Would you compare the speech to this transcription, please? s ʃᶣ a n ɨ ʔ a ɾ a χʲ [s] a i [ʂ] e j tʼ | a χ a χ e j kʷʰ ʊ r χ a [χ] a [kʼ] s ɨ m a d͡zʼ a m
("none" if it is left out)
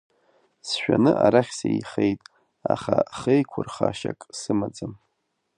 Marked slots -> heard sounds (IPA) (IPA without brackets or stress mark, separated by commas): s, χ, ʃ, kʼ